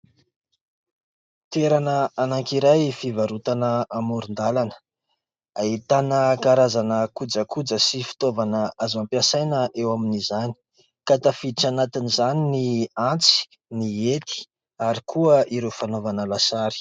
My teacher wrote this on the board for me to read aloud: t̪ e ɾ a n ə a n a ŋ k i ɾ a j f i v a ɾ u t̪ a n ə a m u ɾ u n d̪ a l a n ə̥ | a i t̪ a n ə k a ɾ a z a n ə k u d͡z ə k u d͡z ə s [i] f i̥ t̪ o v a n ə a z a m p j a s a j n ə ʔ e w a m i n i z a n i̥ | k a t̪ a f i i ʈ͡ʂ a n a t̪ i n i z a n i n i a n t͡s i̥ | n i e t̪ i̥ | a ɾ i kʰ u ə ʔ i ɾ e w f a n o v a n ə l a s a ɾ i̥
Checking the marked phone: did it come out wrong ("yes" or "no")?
no